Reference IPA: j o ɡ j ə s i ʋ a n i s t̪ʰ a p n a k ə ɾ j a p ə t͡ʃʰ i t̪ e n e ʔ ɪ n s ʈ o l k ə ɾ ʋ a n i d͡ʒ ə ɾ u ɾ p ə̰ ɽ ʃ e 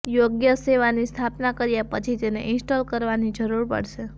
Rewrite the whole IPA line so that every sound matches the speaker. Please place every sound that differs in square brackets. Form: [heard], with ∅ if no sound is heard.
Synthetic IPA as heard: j o ɡ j ə s [e] ʋ a n i s t̪ʰ a p n a k ə ɾ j a p ə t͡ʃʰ i t̪ e n e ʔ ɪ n s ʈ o l k ə ɾ ʋ a n i d͡ʒ ə ɾ u ɾ p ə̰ ɽ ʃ e